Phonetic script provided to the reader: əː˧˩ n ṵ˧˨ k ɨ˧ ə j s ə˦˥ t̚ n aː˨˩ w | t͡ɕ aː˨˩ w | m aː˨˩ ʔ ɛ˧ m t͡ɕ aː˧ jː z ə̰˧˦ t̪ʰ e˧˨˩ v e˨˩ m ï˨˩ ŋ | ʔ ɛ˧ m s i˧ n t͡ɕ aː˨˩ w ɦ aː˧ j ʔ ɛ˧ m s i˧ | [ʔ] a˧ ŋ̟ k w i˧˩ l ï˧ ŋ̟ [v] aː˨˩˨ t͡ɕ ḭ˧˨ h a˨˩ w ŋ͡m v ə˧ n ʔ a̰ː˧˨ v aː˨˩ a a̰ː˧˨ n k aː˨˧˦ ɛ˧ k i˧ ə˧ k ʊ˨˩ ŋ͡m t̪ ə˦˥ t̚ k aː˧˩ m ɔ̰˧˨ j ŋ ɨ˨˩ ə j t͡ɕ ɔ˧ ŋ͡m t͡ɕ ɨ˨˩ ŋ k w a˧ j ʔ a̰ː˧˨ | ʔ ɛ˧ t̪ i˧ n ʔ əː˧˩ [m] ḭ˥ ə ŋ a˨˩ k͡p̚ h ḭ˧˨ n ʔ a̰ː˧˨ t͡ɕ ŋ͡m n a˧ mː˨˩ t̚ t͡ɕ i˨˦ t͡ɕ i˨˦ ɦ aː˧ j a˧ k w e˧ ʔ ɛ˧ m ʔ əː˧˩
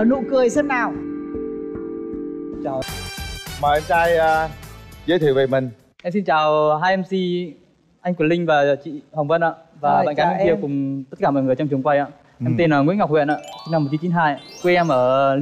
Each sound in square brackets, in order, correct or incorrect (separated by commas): correct, correct, incorrect